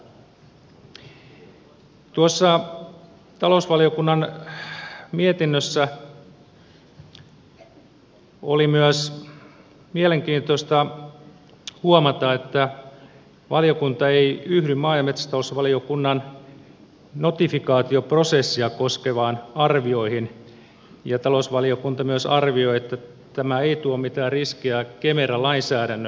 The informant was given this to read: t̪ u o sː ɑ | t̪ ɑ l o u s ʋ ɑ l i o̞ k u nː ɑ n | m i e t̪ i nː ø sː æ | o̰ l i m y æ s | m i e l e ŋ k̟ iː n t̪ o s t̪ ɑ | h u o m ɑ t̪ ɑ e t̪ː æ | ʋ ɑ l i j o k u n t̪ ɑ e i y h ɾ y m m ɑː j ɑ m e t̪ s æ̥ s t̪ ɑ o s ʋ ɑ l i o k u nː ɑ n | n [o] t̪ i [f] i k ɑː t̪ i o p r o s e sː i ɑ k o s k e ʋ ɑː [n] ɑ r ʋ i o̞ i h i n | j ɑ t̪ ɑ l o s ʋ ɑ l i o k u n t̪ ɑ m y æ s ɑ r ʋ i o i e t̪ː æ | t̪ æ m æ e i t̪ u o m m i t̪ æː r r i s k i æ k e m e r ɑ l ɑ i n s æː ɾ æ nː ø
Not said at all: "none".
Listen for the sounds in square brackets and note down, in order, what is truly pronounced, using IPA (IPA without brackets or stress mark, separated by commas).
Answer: o, f, n